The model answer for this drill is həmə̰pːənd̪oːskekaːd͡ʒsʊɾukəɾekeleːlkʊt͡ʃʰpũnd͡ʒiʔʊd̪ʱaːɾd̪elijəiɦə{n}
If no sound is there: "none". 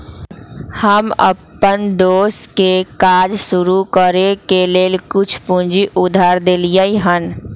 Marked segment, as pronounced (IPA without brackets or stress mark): n